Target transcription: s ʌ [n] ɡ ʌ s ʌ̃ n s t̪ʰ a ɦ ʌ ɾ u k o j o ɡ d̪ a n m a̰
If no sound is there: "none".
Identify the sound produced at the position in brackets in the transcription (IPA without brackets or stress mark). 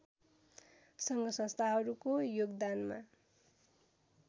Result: ŋ